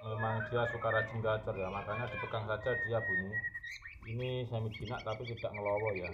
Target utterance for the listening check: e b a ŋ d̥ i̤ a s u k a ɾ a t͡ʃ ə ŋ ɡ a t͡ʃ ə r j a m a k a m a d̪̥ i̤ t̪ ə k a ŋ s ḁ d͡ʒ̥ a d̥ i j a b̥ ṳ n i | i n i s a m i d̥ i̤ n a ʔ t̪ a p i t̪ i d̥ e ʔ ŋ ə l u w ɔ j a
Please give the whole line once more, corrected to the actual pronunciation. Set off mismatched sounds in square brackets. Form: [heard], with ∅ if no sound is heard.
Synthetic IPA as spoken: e [m] a ŋ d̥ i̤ a s u k a ɾ a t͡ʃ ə ŋ ɡ a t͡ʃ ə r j a m a k a [ɲ] a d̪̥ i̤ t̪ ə k a ŋ s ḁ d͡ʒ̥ a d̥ i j a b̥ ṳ n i | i n i s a m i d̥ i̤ n a ʔ t̪ a p i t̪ i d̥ [a] ʔ ŋ ə l [ɔ] w ɔ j a